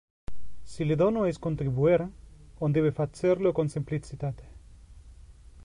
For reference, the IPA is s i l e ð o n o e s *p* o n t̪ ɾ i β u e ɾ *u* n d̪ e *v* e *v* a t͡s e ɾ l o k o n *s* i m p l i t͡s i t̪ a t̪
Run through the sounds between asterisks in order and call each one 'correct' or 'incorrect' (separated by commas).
incorrect, incorrect, incorrect, incorrect, correct